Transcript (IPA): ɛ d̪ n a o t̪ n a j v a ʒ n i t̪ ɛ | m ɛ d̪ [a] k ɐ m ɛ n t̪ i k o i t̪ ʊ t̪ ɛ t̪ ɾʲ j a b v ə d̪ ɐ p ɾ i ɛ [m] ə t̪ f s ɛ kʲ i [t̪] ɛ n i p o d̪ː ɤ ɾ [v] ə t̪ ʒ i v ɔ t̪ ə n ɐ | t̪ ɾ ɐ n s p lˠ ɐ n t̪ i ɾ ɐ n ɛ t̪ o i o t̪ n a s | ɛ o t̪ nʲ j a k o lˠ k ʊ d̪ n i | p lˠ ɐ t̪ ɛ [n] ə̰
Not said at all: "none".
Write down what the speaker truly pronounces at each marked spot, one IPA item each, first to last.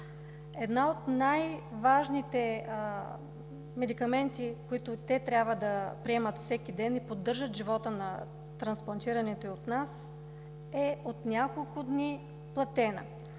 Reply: i, m, d̪, ʒ, n

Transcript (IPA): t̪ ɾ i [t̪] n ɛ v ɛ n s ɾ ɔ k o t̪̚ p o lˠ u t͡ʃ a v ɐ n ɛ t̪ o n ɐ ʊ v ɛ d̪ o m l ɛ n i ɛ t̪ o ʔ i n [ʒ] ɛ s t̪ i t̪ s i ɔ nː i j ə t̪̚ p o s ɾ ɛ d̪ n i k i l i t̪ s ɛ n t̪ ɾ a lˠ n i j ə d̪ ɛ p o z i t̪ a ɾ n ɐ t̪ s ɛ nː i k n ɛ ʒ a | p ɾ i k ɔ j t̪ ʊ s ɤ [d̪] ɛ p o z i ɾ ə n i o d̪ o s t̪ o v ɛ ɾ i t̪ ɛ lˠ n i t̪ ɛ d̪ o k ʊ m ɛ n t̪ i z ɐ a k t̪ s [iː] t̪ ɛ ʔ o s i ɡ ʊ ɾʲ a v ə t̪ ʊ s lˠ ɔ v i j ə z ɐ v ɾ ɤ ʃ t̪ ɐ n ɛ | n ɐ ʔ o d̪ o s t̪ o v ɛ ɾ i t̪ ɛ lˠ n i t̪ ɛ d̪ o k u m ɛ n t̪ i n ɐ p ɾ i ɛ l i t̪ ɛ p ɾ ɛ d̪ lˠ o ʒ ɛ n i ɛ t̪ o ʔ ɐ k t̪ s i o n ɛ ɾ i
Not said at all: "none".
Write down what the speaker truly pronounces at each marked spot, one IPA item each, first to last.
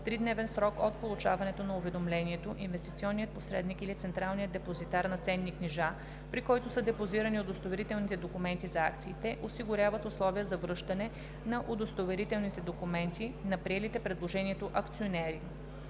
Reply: d̪, v, d̪, iː

